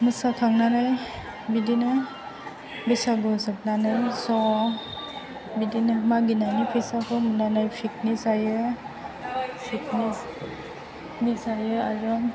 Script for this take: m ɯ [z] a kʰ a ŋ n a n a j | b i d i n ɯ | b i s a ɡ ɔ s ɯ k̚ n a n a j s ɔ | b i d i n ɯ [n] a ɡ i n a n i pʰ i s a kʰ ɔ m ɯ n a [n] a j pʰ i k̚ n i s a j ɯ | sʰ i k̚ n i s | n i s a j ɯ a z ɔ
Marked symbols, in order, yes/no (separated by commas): no, no, yes